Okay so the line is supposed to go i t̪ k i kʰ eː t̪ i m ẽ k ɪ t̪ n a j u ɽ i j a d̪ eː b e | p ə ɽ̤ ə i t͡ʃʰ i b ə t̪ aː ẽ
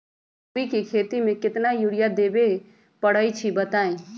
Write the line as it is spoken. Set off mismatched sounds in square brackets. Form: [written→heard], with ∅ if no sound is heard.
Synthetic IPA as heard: i [t̪→∅] k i kʰ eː t̪ i m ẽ k ɪ t̪ n a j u ɽ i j a d̪ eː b e | p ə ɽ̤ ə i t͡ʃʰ i b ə t̪ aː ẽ